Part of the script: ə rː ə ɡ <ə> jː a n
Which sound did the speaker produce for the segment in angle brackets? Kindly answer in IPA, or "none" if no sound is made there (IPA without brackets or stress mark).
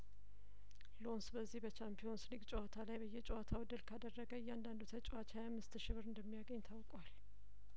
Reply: ə